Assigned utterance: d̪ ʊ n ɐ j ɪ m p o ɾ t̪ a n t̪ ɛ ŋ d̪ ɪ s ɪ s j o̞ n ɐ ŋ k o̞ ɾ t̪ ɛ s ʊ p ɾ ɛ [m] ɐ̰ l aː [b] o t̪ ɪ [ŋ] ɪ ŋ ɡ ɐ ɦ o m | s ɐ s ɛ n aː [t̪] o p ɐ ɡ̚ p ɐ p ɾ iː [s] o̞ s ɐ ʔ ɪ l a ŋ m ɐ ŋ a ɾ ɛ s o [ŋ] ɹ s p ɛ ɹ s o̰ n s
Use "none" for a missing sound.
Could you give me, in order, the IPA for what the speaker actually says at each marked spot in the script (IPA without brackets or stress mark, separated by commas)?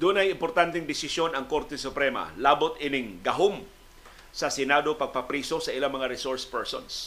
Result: m, b, n, d̪, s, none